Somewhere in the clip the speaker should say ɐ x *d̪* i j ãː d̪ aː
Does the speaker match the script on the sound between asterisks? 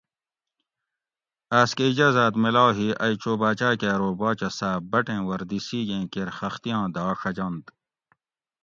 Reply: no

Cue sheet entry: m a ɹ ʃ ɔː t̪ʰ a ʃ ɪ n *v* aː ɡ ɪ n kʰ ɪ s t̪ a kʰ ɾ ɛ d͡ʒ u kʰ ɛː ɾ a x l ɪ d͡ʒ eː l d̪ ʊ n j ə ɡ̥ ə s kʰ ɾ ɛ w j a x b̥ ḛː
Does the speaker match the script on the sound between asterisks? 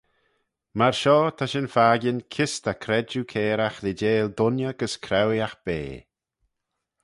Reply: no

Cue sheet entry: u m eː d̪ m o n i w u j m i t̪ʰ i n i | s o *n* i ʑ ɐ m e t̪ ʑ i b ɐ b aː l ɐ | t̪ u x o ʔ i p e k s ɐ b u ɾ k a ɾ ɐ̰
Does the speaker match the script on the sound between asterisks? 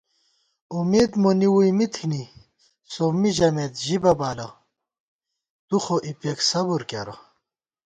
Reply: no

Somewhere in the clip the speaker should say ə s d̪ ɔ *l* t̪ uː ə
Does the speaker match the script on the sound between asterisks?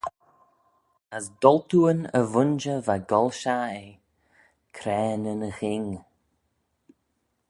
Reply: yes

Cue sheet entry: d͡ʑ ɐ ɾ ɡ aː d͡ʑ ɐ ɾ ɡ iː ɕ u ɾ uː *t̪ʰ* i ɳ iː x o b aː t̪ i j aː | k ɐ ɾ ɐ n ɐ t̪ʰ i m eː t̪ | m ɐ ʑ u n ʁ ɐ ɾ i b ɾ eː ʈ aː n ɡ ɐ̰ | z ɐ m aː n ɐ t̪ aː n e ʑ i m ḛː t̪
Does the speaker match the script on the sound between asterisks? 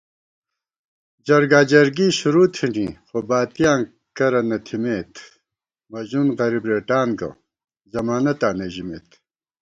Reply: yes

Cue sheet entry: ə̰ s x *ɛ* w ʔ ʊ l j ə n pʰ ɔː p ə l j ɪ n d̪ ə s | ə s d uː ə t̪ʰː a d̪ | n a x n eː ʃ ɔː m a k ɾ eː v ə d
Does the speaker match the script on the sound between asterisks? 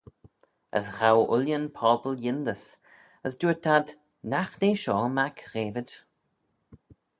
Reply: no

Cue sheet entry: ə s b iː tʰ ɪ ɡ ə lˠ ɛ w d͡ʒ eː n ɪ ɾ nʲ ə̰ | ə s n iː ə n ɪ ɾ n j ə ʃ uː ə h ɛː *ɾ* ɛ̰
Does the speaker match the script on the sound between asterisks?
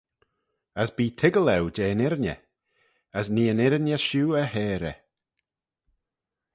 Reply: yes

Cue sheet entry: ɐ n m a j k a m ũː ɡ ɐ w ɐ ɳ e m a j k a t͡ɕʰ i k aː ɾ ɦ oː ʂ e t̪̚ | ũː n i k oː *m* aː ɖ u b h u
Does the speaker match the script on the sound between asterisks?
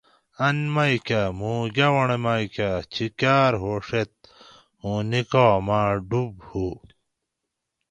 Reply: yes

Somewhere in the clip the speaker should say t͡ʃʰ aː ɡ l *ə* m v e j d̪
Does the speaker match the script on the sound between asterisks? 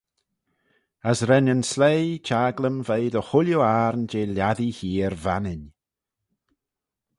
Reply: yes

